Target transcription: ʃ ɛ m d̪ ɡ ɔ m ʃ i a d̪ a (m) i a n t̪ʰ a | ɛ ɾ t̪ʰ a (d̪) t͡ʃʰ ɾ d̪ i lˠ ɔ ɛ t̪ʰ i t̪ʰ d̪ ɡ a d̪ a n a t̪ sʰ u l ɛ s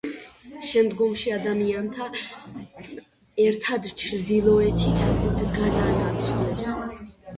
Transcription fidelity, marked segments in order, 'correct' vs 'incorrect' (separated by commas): correct, correct